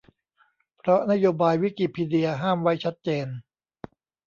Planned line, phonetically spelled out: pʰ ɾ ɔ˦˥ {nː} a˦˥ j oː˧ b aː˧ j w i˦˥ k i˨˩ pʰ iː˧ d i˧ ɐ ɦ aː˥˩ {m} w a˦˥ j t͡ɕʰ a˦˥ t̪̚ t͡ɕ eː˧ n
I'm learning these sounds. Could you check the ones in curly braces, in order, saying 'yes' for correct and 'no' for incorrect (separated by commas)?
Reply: no, yes